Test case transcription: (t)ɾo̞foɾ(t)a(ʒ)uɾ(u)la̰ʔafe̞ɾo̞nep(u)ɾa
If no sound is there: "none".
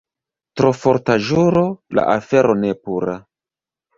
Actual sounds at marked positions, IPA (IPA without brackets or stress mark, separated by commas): t, t, ʒ, o, u